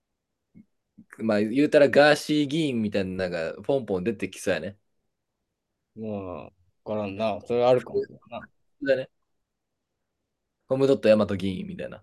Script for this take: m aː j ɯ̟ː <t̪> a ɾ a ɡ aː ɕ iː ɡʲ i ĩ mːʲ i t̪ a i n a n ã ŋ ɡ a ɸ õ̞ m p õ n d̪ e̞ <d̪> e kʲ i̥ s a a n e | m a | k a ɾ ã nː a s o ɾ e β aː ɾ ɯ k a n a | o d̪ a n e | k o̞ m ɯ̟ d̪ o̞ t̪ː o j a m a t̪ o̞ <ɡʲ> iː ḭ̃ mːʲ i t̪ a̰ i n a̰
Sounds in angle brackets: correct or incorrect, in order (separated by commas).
correct, incorrect, correct